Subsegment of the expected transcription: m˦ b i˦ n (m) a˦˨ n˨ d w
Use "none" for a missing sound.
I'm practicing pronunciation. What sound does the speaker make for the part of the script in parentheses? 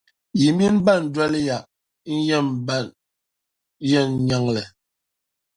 b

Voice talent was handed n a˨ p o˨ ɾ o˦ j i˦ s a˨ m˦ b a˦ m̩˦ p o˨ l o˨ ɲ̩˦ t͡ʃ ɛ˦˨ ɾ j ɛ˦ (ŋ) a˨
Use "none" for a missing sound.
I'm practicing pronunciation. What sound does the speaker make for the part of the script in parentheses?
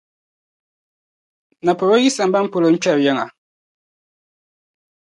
ŋ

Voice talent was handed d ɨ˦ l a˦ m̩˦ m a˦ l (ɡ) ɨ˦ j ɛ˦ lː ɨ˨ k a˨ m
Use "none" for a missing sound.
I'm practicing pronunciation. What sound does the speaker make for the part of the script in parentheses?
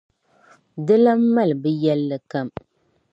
b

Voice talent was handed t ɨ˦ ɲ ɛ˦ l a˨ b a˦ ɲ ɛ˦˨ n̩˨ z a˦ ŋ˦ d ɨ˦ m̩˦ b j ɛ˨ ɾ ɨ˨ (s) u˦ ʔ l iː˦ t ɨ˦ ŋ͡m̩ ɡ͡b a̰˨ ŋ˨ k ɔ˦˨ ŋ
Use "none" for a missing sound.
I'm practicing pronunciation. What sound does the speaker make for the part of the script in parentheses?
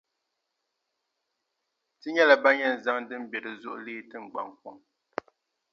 z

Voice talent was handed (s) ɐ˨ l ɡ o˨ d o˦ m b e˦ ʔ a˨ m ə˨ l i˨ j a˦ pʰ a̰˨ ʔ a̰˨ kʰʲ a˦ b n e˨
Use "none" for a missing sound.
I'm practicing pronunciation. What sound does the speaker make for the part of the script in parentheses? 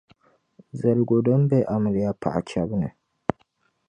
z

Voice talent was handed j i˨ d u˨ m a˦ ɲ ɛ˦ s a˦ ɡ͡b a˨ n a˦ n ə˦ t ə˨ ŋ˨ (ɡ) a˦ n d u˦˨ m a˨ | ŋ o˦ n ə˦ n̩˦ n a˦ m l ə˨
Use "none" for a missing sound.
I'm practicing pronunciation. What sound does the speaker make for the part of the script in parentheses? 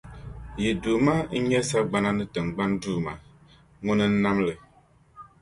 ɡ͡b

